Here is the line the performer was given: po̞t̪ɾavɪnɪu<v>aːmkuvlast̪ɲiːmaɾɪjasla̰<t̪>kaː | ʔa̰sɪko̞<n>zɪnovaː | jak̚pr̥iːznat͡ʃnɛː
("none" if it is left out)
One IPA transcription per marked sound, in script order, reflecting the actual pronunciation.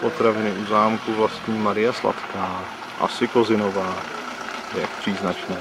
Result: z, t̪, none

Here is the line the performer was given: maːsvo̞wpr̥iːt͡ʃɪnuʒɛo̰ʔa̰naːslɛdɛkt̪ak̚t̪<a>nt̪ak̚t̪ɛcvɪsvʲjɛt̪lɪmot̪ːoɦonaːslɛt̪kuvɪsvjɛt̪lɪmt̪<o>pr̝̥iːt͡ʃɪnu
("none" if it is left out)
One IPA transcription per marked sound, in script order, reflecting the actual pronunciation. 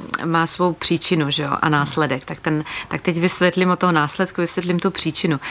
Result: ɛ, u

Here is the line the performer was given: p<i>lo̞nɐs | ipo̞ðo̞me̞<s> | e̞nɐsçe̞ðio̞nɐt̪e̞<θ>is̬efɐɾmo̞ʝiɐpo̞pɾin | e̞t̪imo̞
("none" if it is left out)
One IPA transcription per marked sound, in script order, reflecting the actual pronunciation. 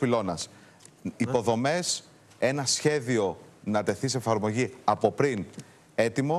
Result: i, s, θ

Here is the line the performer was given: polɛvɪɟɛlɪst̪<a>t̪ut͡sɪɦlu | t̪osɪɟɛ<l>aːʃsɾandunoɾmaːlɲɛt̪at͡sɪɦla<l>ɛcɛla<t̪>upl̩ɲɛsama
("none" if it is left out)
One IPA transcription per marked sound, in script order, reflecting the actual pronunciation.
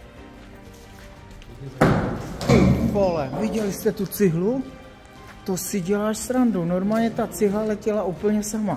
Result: ɛ, l, l, none

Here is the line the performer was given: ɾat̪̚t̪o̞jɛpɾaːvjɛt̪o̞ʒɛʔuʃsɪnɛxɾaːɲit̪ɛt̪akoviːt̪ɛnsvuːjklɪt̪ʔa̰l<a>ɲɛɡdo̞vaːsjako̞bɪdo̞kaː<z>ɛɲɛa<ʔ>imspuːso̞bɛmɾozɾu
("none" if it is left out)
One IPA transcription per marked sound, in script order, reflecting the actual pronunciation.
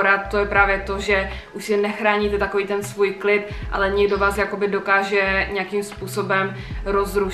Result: ɛ, ʒ, k

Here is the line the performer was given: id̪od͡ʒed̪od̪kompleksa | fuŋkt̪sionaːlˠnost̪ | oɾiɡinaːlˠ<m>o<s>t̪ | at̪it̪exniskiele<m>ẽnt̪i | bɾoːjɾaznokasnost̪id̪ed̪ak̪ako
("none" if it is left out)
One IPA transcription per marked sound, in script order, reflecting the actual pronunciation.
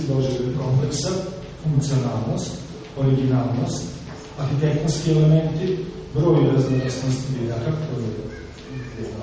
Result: n, s, m

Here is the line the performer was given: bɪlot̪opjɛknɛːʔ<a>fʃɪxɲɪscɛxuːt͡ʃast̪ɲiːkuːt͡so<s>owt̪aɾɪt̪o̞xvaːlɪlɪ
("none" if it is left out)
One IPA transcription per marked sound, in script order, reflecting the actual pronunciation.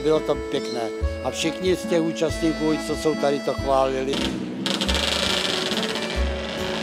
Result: a, s

